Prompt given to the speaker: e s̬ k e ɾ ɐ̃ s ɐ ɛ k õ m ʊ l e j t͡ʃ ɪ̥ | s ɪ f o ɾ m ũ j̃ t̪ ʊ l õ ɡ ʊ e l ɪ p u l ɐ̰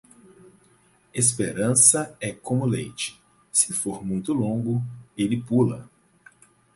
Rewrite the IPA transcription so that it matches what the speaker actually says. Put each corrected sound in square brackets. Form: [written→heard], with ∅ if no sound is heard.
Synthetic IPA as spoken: e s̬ [k→p] e ɾ ɐ̃ s ɐ ɛ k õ m ʊ l e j t͡ʃ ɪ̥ | s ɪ f o ɾ m ũ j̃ t̪ ʊ l õ ɡ ʊ e l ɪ p u l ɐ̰

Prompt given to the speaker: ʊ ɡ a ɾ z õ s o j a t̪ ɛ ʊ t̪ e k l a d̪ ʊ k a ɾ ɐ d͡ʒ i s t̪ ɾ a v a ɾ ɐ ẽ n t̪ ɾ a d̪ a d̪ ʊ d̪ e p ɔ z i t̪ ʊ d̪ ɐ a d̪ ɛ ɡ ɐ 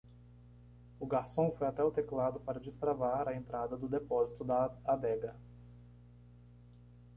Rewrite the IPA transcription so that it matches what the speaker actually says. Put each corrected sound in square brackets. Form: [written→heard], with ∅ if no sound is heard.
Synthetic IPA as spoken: ʊ ɡ a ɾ [z→s] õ [s→f] o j a t̪ ɛ ʊ t̪ e k l a d̪ ʊ [k→p] a ɾ ɐ d͡ʒ i s t̪ ɾ a v a ɾ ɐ ẽ n t̪ ɾ a d̪ [a→ɐ] d̪ ʊ d̪ e p ɔ z i t̪ ʊ d̪ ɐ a d̪ ɛ ɡ ɐ

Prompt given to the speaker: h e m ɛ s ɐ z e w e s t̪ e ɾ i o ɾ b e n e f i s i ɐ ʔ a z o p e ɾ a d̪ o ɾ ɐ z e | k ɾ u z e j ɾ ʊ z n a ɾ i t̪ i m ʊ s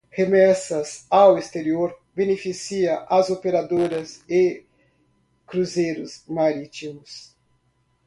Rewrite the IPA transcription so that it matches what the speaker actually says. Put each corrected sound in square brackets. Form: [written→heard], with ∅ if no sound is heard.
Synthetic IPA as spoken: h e m ɛ s ɐ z [e→a] w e s t̪ e ɾ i o ɾ b e n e f i s i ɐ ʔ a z o p e ɾ a d̪ o ɾ ɐ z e | k ɾ u z e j ɾ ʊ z [n→m] a ɾ i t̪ i m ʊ s

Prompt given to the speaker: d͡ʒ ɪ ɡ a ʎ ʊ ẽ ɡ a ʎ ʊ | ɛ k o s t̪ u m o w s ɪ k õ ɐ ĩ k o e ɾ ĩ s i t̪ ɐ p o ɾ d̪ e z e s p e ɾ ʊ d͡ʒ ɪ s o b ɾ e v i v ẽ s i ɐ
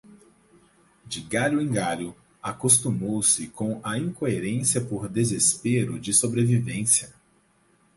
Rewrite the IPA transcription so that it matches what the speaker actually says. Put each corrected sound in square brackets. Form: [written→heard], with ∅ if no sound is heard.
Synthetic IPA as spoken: d͡ʒ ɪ ɡ a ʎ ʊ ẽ ɡ a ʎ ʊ | [ɛ→a] k o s t̪ u m o w s ɪ k õ ɐ ĩ k o e ɾ [ĩ→ẽ] s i [t̪→∅] ɐ p o ɾ d̪ e z e s p e ɾ ʊ d͡ʒ ɪ s o b ɾ e v i v ẽ s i ɐ

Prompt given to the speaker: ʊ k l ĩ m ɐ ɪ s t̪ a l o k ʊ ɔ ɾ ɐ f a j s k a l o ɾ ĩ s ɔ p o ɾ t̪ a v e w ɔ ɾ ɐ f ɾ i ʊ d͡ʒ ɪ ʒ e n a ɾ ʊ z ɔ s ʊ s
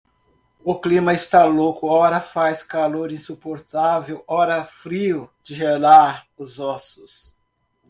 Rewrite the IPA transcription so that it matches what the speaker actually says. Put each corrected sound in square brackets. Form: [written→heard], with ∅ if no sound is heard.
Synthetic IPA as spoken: ʊ k l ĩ m ɐ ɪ s t̪ a l o k ʊ ɔ ɾ ɐ f a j s k a l o ɾ ĩ s [ɔ→u] p o ɾ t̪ a v e w ɔ ɾ ɐ f ɾ i ʊ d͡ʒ ɪ ʒ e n a ɾ ʊ z ɔ s ʊ s

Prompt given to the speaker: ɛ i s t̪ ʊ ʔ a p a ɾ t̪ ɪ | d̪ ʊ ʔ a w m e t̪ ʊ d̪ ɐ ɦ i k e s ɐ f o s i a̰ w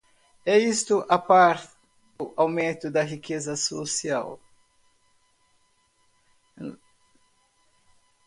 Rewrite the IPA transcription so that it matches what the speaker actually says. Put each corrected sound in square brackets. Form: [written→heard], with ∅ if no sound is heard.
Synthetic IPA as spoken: ɛ i s t̪ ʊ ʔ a p a ɾ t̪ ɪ | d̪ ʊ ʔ a w m [e→ẽ] t̪ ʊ d̪ ɐ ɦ i k e [s→z] ɐ [f→s] o s i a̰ w

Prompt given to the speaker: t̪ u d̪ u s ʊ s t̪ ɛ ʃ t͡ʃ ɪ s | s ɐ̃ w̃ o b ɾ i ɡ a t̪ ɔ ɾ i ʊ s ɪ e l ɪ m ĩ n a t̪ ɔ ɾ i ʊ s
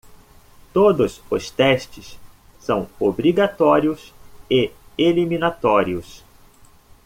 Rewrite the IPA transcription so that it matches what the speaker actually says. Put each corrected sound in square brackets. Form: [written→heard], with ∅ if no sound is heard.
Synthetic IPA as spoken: t̪ [u→o] d̪ [u→ʊ] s ʊ s t̪ ɛ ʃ t͡ʃ ɪ s | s ɐ̃ w̃ o b ɾ i ɡ a t̪ ɔ ɾ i ʊ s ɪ e l [ɪ→i] m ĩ n a t̪ ɔ ɾ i ʊ s

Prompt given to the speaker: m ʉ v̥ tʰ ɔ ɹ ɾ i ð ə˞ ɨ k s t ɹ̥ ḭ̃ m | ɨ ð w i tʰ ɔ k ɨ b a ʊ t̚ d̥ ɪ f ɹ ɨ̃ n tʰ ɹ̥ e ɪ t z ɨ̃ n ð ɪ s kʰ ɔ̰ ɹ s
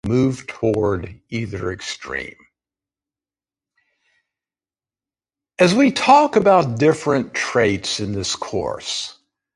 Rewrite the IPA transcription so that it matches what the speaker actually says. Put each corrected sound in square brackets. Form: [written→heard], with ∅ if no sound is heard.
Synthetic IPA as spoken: m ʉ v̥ tʰ ɔ ɹ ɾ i ð ə˞ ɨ k s t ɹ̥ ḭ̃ m | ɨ [ð→z] w i tʰ ɔ k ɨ b a ʊ t̚ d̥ ɪ f ɹ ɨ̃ n tʰ ɹ̥ e ɪ t [z→s] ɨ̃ n ð ɪ s kʰ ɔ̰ ɹ s

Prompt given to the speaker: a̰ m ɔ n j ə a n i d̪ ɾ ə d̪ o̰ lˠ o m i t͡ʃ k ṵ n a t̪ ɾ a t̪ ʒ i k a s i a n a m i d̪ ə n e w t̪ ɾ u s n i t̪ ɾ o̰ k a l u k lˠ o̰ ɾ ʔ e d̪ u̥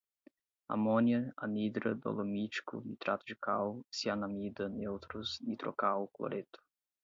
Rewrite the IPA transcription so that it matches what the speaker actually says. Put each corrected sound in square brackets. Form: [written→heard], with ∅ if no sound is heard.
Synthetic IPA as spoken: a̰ m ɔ n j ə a n i d̪ ɾ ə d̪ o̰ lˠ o m i t͡ʃ k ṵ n [a→i] t̪ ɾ a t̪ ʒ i k a s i a n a m i d̪ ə n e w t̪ ɾ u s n i t̪ ɾ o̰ k a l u k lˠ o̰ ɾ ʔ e [d̪→t̪] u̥

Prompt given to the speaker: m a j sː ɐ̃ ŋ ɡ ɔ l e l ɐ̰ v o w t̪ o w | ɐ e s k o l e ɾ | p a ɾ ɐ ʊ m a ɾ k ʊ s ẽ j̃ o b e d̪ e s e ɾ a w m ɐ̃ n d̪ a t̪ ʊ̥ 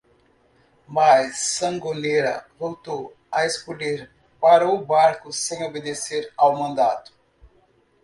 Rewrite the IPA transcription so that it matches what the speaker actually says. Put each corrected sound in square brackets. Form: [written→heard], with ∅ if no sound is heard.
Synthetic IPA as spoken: m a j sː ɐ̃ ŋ ɡ [ɔ→o] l e [l→ɾ] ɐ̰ v o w t̪ o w | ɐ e s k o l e ɾ | p a ɾ ɐ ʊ [m→b] a ɾ k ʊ s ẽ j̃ o b e d̪ e s e ɾ a w m ɐ̃ n d̪ a t̪ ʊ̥

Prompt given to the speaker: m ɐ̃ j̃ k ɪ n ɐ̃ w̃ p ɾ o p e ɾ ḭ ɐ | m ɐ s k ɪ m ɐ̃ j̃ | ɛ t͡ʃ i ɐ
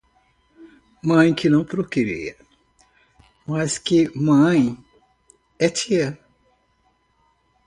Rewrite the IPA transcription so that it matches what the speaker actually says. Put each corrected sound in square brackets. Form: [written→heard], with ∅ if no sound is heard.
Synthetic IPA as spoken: m ɐ̃ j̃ k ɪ n ɐ̃ w̃ p ɾ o [p→k] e ɾ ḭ ɐ | m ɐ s k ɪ m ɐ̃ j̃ | ɛ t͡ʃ i ɐ

